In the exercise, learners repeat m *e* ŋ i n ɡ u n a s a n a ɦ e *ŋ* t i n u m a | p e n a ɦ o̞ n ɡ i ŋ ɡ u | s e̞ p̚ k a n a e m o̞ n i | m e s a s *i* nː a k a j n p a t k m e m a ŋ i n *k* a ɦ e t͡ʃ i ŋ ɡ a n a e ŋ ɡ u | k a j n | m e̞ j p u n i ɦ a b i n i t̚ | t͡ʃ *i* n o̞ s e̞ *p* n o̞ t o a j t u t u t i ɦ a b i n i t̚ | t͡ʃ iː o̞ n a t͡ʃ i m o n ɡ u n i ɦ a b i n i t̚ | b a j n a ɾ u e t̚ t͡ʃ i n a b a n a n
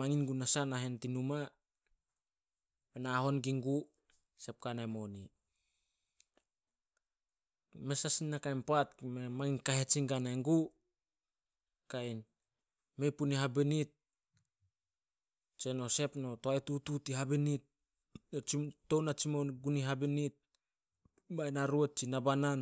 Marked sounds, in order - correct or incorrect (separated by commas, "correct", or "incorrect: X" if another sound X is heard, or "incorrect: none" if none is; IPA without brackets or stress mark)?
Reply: incorrect: a, incorrect: n, correct, correct, incorrect: e, correct